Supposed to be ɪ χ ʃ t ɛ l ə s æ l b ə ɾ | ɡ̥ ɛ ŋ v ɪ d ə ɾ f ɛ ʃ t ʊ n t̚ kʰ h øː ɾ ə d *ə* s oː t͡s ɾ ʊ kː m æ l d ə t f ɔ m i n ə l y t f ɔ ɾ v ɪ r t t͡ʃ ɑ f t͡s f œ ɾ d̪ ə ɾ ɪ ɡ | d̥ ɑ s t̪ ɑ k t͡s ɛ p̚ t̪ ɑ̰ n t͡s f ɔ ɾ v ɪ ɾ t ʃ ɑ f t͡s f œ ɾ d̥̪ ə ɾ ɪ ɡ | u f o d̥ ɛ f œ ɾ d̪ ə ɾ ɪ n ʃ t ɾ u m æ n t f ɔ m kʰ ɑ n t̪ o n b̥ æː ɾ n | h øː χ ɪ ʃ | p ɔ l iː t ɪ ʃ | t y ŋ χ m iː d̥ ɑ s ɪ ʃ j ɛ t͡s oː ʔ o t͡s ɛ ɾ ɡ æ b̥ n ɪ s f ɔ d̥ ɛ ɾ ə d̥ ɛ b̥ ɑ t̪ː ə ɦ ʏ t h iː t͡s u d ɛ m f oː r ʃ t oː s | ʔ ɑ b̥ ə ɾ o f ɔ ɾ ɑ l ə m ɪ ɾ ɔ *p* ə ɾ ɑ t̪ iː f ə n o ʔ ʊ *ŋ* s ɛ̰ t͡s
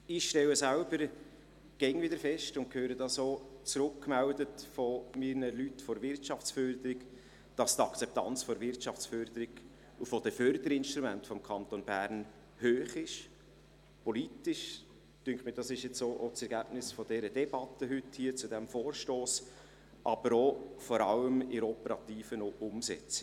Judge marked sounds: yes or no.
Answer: no, yes, no

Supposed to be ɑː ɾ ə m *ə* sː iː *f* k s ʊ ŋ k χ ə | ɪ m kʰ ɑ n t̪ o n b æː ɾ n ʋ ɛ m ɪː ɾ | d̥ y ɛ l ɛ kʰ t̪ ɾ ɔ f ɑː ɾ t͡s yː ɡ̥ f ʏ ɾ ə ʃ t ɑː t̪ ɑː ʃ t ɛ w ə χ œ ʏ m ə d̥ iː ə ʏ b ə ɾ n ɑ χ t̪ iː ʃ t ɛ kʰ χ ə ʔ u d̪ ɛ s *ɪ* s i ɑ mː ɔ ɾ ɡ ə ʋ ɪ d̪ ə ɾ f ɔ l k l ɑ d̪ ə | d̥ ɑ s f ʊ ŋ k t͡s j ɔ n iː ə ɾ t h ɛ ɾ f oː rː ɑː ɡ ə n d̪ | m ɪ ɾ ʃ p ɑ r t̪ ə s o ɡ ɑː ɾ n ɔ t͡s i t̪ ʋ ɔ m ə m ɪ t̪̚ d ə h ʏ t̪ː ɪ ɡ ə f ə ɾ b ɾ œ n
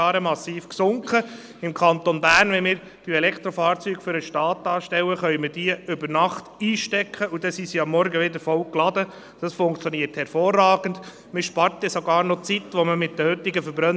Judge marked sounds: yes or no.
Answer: no, yes, no

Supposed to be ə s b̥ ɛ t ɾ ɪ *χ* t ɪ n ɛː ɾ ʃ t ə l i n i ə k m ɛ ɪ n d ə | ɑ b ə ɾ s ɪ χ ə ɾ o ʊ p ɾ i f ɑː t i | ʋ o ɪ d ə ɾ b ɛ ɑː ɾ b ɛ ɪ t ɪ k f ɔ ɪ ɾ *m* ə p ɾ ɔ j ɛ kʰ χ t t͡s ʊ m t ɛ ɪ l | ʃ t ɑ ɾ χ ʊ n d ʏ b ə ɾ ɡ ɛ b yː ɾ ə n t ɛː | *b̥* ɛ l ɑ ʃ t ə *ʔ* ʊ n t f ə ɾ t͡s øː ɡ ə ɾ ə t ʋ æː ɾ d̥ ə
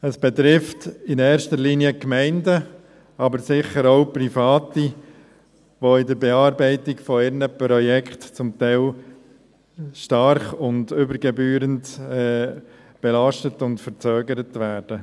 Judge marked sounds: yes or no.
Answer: no, no, yes, no

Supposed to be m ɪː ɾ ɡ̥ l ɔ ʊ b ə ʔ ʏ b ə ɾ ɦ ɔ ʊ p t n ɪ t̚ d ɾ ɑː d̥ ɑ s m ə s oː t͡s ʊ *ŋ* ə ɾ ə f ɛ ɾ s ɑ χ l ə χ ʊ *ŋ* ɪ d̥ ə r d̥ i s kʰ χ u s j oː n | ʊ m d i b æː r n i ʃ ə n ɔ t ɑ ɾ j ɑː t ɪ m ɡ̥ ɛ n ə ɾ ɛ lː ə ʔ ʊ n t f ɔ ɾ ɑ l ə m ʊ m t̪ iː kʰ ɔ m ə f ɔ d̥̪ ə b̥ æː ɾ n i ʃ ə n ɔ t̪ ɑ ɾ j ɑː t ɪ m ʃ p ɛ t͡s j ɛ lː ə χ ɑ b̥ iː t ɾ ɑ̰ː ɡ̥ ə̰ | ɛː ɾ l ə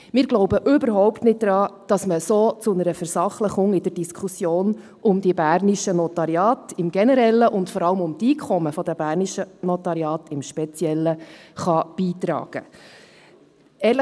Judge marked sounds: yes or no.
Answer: no, yes

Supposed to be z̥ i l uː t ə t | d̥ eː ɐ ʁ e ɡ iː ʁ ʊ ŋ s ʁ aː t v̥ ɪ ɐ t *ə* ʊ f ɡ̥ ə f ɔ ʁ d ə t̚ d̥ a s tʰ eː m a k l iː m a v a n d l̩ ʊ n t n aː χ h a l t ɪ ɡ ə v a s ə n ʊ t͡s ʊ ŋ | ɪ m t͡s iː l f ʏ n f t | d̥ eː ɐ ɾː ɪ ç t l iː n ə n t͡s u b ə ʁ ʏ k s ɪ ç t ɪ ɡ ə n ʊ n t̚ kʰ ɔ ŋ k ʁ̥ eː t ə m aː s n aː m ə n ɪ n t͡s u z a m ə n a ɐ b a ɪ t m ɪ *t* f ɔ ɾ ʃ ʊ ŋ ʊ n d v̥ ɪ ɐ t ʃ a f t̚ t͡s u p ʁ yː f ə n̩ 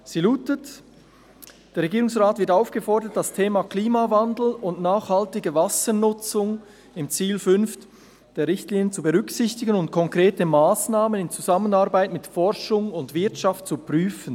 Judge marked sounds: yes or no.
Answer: no, yes

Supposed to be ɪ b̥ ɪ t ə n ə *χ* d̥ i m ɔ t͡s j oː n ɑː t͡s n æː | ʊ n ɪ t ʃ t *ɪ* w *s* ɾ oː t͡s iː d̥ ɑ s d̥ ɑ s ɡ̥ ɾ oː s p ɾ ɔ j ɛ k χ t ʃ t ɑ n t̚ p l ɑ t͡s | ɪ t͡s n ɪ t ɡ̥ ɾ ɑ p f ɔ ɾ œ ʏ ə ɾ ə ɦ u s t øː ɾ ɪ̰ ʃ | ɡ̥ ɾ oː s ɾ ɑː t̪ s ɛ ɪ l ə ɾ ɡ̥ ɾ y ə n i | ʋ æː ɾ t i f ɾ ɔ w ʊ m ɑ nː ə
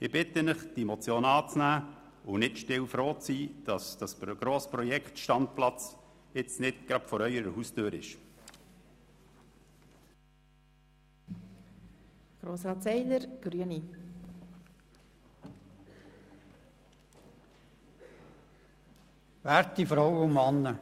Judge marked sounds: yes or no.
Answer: yes, yes, no

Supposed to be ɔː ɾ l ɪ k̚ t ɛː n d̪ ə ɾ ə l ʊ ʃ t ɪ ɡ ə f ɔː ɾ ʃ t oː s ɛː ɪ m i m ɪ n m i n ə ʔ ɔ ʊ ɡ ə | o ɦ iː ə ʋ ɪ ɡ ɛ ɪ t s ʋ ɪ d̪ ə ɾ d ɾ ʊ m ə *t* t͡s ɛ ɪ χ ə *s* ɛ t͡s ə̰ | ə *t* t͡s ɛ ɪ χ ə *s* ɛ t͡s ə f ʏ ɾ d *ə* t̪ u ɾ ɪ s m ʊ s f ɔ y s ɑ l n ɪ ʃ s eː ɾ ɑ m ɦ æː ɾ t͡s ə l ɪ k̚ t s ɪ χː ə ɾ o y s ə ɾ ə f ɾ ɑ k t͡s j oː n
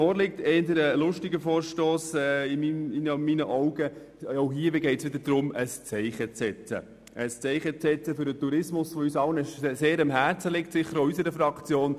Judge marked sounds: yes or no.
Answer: no, no, no, no, yes

